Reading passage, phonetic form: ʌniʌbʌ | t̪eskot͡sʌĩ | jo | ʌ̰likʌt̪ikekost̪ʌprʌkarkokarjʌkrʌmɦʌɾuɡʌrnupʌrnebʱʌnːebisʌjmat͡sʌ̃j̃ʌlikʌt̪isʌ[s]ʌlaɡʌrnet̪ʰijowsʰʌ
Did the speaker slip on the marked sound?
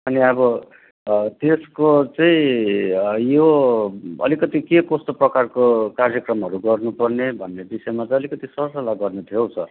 no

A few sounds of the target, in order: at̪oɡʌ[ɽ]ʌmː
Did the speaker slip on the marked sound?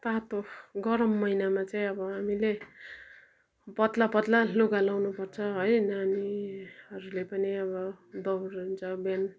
yes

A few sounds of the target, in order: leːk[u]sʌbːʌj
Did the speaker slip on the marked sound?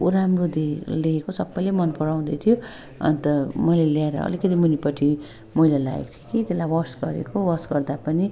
yes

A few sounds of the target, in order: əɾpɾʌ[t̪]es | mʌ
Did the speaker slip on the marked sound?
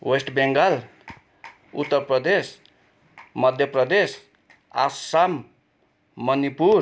yes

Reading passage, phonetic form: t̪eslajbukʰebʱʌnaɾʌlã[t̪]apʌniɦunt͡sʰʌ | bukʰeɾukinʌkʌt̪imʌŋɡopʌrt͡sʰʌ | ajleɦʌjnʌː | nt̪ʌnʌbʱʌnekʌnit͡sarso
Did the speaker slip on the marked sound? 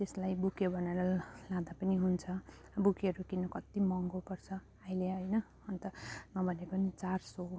yes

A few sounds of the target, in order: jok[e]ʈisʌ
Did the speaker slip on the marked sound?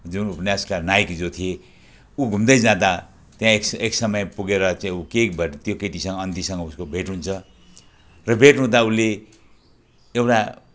no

